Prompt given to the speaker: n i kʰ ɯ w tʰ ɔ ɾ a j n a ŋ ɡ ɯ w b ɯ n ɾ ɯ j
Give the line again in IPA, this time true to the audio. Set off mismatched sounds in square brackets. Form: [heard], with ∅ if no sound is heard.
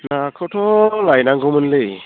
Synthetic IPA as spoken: n [a] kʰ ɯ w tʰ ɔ [l] a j n a ŋ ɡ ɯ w [m] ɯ n [l] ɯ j